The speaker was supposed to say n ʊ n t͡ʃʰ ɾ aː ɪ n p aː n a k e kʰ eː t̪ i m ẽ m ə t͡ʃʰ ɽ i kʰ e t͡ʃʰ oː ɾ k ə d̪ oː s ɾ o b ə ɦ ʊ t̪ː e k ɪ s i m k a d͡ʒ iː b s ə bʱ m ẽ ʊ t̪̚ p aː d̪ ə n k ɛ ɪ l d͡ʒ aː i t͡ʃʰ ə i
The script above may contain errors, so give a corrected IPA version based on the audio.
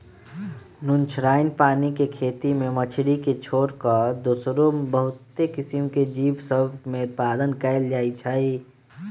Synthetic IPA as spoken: n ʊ n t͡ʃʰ ɾ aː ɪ n p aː n i k e kʰ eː t̪ i m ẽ m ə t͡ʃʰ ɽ i k e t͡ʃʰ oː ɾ k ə d̪ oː s ɾ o b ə ɦ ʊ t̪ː e k ɪ s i m k e d͡ʒ iː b s ə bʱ m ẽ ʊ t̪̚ p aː d̪ ə n k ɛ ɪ l d͡ʒ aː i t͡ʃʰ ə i